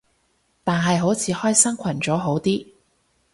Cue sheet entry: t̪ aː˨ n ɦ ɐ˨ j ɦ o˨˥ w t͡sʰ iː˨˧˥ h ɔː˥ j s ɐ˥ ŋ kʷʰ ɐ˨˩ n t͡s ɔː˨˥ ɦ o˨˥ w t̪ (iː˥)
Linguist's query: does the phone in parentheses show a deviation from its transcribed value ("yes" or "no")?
no